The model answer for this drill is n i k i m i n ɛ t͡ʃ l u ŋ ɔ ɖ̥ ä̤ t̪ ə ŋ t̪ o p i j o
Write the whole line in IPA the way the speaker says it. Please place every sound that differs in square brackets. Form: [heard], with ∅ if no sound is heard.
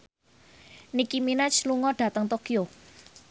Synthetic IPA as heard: n i k i m i n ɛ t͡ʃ l u ŋ ɔ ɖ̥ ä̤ t̪ ə ŋ t̪ o [k] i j o